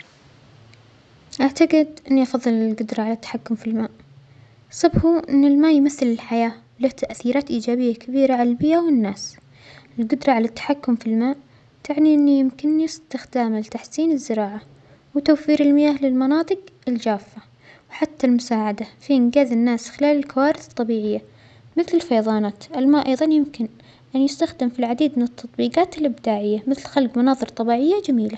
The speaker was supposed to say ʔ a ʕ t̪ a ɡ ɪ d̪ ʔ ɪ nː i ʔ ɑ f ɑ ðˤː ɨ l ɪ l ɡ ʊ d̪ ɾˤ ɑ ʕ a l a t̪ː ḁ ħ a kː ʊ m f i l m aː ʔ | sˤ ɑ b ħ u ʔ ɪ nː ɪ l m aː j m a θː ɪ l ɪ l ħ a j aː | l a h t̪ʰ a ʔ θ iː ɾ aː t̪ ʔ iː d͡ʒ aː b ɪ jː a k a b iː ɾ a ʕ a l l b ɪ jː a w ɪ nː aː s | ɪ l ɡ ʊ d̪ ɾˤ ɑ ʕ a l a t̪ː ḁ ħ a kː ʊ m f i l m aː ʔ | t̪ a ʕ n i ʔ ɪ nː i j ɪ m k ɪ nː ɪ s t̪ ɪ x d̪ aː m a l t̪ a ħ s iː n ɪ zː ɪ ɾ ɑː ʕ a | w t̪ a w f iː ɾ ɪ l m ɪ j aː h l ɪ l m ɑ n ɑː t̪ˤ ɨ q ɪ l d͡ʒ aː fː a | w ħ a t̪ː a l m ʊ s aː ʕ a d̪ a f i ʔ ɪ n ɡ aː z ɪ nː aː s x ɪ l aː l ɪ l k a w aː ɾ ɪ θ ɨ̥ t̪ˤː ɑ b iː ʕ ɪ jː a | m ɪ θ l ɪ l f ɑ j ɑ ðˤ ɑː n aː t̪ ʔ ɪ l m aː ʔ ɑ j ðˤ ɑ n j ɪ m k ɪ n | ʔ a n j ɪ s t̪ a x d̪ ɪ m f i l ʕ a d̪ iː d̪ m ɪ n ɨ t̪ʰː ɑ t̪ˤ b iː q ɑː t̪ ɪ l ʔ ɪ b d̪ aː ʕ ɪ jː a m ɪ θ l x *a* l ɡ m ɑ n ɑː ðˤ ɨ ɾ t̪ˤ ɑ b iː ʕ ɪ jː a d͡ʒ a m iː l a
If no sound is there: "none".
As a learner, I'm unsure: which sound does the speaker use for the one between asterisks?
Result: a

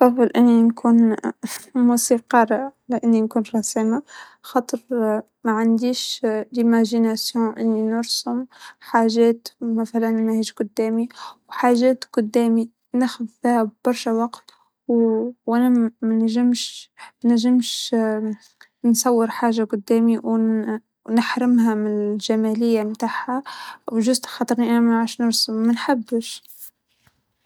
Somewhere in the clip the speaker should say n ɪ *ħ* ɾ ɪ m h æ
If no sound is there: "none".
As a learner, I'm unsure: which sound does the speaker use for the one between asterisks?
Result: ħ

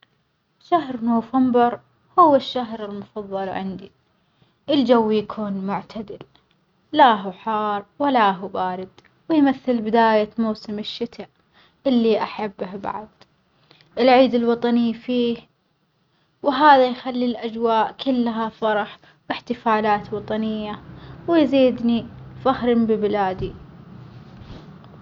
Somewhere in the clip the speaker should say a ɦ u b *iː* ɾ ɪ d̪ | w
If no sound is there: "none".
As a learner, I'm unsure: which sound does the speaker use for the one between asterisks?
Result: aː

